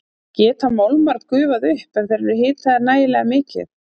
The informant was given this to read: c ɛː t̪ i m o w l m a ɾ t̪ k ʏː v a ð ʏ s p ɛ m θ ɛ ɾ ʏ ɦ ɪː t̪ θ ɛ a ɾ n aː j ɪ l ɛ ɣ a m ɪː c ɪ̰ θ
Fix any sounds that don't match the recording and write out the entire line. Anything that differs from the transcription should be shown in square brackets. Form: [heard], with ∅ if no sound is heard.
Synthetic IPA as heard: c ɛː t̪ [a] m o w l m a ɾ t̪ k ʏː v a ð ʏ [h] p ɛ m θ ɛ ɾ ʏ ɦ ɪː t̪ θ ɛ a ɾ n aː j ɪ l ɛ ɣ a m ɪː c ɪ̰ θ